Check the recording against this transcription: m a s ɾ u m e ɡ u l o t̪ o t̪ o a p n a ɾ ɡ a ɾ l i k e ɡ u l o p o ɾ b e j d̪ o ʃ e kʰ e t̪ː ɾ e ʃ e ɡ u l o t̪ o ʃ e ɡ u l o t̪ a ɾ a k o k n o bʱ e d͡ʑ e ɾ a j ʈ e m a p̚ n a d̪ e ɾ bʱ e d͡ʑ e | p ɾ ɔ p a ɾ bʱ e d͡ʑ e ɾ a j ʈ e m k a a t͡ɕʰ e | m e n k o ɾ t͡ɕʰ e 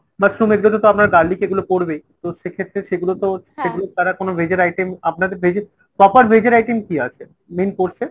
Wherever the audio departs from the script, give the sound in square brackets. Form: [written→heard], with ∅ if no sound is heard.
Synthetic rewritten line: m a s ɾ u m e ɡ u l o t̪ o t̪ o a p n a ɾ ɡ a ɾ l i k e ɡ u l o p o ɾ b e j [d̪→t̪] o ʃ e kʰ e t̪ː ɾ e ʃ e ɡ u l o t̪ o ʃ e ɡ u l o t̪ a ɾ a k o [k→∅] n o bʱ e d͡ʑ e ɾ a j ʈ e m a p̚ n a d̪ e ɾ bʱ e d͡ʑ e | p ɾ ɔ p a ɾ bʱ e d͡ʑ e ɾ a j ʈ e m k [a→i] a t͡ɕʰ e | m e n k o ɾ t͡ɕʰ e